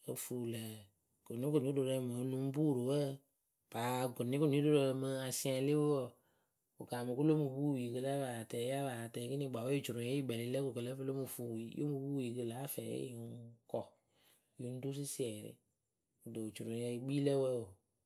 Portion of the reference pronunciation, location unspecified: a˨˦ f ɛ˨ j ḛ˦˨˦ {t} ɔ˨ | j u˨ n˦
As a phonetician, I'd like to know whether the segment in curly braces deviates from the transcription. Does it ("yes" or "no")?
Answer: yes